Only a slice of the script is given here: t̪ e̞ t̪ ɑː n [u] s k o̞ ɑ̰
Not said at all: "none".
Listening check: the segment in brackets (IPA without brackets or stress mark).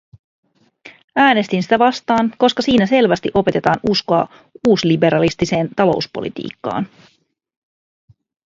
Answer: u